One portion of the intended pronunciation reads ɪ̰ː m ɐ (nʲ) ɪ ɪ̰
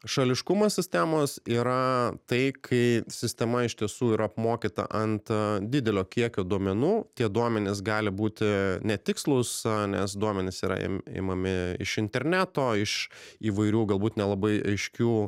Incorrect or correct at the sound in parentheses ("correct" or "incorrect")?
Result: incorrect